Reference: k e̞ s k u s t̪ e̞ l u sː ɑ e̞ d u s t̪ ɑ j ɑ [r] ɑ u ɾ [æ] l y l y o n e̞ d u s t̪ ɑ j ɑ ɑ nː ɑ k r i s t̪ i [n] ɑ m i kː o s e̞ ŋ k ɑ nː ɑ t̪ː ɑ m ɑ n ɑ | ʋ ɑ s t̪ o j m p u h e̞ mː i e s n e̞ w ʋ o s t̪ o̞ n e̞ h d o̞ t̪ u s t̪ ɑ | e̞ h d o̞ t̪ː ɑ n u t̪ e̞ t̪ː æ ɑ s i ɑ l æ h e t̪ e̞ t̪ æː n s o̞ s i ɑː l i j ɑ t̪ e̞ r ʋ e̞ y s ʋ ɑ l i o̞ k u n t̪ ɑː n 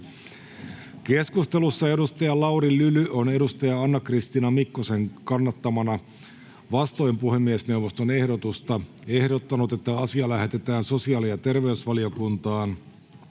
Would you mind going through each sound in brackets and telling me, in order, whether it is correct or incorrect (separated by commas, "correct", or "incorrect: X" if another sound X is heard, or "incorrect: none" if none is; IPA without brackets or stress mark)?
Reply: incorrect: l, incorrect: i, correct